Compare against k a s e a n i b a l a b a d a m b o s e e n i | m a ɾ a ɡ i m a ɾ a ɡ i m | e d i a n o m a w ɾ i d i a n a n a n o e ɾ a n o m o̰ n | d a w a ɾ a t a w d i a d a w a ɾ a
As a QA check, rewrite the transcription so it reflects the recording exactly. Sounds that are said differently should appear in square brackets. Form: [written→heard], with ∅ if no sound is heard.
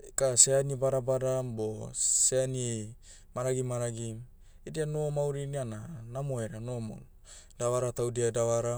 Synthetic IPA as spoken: k a s e a n i b a [l→ɾ] a b a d a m b o s e [e→a] n i | m a ɾ a ɡ i m a ɾ a ɡ i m | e d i a n o m a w ɾ i [d→n] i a n a n a [n→m] o e ɾ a n o m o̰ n | d a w a ɾ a t a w d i a d a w a ɾ a